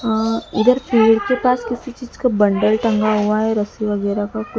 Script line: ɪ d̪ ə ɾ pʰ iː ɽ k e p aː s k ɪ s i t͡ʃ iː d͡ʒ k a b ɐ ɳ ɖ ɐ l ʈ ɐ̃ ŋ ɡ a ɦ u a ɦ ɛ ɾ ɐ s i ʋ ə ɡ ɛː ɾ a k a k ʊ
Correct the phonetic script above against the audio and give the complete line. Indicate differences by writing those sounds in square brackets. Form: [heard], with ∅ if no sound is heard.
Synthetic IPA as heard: ɪ d̪ ə ɾ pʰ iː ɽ k e p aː s k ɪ s i t͡ʃ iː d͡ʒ k a b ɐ ɳ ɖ [ə] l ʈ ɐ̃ ŋ ɡ a ɦ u a ɦ ɛ ɾ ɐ s i ʋ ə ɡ ɛː ɾ a k a k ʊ